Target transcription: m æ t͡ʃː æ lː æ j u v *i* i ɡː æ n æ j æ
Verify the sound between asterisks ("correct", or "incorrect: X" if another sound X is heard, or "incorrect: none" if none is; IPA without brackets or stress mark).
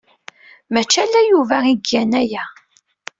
incorrect: æ